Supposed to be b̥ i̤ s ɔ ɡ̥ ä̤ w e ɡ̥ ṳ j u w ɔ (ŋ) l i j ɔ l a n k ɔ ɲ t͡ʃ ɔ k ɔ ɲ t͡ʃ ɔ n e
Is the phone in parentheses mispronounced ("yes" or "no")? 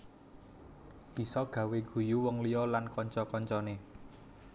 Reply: no